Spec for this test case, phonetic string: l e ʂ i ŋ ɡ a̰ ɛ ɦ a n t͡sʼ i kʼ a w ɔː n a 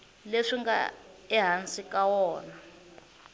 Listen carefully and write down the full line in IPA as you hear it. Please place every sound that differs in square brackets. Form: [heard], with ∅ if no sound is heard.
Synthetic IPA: l e ʂ i ŋ ɡ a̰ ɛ ɦ a n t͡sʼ i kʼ a w ɔː n a